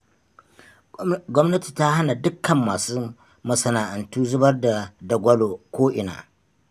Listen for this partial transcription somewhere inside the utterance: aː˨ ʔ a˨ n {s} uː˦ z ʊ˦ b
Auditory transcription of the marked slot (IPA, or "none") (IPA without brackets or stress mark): t